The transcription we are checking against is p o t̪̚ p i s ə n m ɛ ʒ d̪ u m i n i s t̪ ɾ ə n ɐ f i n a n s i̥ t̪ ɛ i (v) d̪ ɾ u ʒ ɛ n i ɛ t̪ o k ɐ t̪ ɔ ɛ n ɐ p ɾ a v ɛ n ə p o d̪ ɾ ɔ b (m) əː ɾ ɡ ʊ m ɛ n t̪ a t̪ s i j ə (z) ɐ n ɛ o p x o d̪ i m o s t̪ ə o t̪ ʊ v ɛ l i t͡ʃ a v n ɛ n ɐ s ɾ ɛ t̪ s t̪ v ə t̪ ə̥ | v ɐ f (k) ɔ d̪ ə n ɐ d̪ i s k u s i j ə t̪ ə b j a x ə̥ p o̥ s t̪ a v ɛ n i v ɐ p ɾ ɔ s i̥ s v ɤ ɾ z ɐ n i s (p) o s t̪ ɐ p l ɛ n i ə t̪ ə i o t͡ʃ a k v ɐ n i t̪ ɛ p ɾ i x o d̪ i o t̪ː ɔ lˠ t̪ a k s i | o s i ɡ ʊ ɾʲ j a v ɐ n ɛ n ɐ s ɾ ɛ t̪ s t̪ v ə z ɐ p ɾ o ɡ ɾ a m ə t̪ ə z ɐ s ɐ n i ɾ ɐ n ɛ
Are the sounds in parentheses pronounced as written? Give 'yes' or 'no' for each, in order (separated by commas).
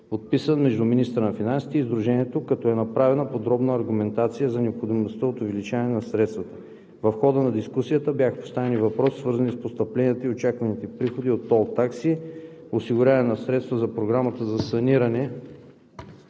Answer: no, no, yes, no, yes